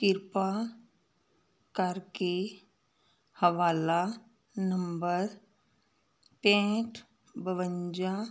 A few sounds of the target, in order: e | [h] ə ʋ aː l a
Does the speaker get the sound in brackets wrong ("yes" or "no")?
no